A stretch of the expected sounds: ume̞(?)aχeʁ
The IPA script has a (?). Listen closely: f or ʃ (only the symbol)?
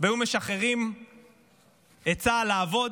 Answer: ʃ